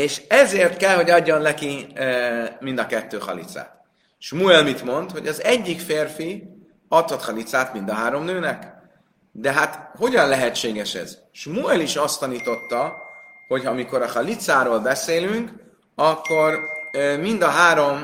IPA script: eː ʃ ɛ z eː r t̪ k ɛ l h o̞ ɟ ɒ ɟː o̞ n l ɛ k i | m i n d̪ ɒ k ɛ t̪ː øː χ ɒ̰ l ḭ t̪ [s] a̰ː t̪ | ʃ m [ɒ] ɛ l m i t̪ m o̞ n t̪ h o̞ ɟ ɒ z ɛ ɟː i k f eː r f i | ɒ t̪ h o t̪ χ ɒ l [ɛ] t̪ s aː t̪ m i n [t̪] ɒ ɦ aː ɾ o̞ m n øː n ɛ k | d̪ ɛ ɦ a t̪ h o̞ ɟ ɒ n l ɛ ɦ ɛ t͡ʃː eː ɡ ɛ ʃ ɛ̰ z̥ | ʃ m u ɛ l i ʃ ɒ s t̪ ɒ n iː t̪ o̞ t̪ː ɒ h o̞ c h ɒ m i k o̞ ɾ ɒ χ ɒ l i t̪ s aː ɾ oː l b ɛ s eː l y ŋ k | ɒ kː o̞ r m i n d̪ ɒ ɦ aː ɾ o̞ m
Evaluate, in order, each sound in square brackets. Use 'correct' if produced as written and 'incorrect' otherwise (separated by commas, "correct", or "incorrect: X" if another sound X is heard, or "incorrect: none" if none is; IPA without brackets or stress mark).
correct, incorrect: u, incorrect: i, incorrect: d̪